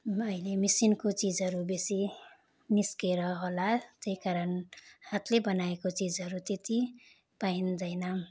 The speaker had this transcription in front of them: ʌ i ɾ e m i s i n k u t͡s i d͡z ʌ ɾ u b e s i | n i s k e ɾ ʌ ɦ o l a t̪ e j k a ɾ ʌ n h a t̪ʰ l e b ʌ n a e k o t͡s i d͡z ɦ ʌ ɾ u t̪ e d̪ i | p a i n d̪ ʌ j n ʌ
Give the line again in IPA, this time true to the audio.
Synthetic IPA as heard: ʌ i l e m i s i n k o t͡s i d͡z ʌ ɾ u b e s i | n i s k e ɾ ʌ ɦ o l a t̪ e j k a ɾ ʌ n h a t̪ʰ l e b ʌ n a e k o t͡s i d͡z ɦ ʌ ɾ u t̪ e t̪ i | p a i n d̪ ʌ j n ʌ

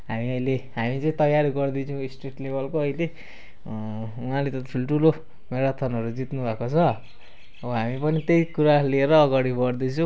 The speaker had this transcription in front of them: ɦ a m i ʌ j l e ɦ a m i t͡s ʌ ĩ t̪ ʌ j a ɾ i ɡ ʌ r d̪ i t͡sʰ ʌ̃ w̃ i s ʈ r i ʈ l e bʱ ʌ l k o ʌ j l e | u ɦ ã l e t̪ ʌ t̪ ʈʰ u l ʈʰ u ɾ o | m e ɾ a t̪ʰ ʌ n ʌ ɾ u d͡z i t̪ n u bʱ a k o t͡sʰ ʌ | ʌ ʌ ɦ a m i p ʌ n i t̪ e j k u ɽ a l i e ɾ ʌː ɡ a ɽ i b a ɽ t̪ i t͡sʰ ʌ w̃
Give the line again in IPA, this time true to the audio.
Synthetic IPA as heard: ɦ a m i ʌ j l e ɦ a m i t͡s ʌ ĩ t̪ ʌ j a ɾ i ɡ ʌ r d̪ i t͡sʰ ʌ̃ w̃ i s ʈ r i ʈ l e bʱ ʌ l k o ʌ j l e | u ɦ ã l e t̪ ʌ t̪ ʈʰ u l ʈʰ u l o | m e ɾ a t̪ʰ ʌ n ʌ ɾ u d͡z i t̪ n u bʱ a k o t͡sʰ ʌ | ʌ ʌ ɦ a m i p ʌ n i t̪ e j k u ɾ a l i e ɾ ʌː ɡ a ɽ i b ʌ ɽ d̪ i t͡sʰ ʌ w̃

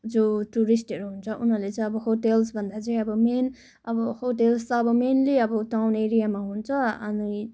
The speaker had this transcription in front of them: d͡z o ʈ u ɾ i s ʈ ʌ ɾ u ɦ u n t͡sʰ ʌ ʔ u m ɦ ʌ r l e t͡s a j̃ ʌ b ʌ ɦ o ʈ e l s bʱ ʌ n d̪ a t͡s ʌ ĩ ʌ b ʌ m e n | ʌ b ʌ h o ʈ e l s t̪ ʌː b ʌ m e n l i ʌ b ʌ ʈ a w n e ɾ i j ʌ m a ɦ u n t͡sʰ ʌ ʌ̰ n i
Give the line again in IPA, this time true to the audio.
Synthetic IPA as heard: d͡z o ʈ u ɾ i s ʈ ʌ ɾ u ɦ u n t͡sʰ ʌ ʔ u n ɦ ʌ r l e t͡s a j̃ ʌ b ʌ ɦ o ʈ e l s bʱ ʌ n d̪ a t͡s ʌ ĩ ʌ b ʌ m e n | ʌ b ʌ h o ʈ e l s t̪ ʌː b ʌ m e n l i ʌ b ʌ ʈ a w n e ɾ i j a m a ɦ u n t͡sʰ ʌ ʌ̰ n i

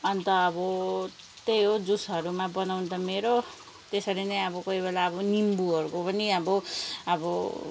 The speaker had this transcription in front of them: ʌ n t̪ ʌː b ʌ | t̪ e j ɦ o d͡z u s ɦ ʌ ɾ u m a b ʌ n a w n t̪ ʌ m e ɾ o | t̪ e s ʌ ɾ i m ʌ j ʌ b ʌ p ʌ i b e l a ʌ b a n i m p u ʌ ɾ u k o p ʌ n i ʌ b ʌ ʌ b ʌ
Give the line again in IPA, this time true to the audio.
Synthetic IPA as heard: ʌ n t̪ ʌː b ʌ | t̪ e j ɦ o d͡z u s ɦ ʌ ɾ u m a b ʌ n a w n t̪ ʌ m e ɾ o | t̪ e s ʌ ɾ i n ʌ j ʌ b ʌ k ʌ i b e l a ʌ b ʌ n i m b u ʌ ɾ u k o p ʌ n i ʌ b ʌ ʌ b ʌ

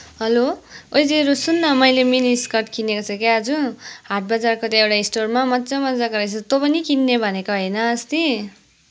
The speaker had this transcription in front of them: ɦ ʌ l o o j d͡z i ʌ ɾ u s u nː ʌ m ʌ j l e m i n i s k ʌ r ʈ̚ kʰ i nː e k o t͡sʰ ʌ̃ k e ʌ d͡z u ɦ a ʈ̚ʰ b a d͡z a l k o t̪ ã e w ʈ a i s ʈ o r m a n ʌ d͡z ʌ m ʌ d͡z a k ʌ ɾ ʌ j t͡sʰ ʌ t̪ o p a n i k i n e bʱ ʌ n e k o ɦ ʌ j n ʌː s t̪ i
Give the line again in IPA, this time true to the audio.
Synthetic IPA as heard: ɦ ʌ l o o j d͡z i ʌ ɾ u s u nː ʌ m ʌ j l e m i n i s k ʌ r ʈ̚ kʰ i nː e k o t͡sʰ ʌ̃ k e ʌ d͡z u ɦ a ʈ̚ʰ b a d͡z a r k o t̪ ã e w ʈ a i s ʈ o r m a m ʌ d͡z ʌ m ʌ d͡z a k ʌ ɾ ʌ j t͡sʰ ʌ t̪ o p ʌ n i k i nː e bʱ ʌ n e k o ɦ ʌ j n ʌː s t̪ i

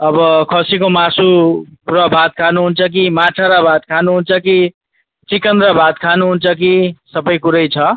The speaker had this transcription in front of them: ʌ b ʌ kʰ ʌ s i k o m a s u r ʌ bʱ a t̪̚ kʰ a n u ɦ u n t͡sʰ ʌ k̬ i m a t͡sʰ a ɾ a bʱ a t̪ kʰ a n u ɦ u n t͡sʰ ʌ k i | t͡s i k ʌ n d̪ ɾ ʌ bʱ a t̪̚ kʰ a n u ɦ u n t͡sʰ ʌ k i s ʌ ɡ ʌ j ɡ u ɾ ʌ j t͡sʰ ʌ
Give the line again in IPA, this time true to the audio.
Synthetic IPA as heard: ʌ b ʌ kʰ ʌ s i k o m a s u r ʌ bʱ a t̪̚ kʰ a n u ɦ u n t͡sʰ ʌ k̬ i m a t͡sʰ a ɾ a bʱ a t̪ kʰ a n u ɦ u n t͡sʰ ʌ k i | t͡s i k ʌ n d̪ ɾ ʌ bʱ a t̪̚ kʰ a n u ɦ u n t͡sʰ ʌ k i s ʌ b ʌ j k u ɾ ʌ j t͡sʰ ʌ

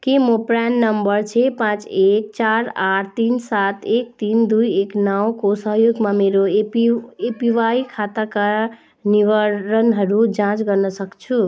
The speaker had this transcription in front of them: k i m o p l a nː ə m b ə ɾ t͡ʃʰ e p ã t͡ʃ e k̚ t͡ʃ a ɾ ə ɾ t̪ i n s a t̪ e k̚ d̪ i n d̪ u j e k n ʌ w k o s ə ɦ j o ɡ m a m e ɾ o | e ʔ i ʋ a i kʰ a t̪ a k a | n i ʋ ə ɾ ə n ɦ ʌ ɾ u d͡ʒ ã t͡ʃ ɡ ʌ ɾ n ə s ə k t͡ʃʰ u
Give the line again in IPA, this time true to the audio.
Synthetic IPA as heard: k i m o p ɾ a nː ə m b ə ɾ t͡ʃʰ e p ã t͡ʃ e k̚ t͡ʃ a ɾ a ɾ t̪ i n s a t̪ e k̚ t̪ i n d̪ u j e k n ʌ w k o s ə ɦ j o ɡ m a m e ɾ o | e p i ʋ a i kʰ a t̪ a k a | n i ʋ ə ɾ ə n ɦ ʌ ɾ u d͡ʒ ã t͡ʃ ɡ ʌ ɾ n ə s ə k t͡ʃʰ u

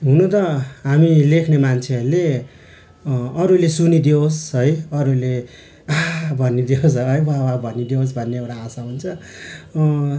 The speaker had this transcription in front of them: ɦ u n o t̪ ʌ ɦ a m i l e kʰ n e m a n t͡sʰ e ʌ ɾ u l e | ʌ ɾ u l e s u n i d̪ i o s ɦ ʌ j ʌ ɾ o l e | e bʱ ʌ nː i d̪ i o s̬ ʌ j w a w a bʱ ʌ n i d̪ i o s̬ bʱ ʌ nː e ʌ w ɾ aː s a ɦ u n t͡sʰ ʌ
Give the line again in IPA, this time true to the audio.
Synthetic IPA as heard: ɦ u n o t̪ ʌ ɦ a m i l e kʰ n e m a n t͡sʰ e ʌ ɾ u l e | ʌ ɾ u l e s u n i d̪ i o s ɦ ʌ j ʌ ɾ u l e | a bʱ ʌ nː i d̪ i o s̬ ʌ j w a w a bʱ ʌ n i d̪ i o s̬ bʱ ʌ nː e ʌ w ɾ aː s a ɦ u n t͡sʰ ʌ

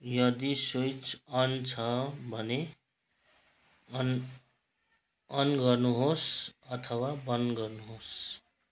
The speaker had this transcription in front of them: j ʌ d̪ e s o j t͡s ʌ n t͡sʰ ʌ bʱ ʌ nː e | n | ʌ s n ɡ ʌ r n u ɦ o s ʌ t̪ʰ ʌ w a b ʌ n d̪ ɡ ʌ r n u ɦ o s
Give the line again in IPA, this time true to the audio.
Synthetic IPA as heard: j ʌ d̪ i s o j t͡s ʌ n t͡sʰ ʌ bʱ ʌ n e | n | ʌ n ɡ ʌ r n u ɦ o s ʌ t̪ʰ ʌ w a b ʌ n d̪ ɡ ʌ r n u ɦ o s

